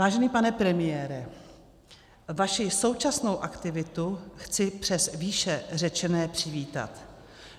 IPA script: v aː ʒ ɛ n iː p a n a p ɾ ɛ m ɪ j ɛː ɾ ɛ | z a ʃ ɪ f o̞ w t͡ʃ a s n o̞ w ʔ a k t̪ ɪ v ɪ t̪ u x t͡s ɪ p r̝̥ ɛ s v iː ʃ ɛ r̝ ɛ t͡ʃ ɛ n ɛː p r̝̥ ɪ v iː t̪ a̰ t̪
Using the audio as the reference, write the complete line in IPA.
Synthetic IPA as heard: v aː ʒ ɛ n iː p a n ɛ p ɾ ɛ m ɪ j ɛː ɾ ɛ | v a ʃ ɪ s o̞ w t͡ʃ a s n o̞ w ʔ a k t̪ ɪ v ɪ t̪ u x t͡s ɪ p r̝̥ ɛ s v iː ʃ ɛ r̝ ɛ t͡ʃ ɛ n ɛː p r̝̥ ɪ v iː t̪ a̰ t̪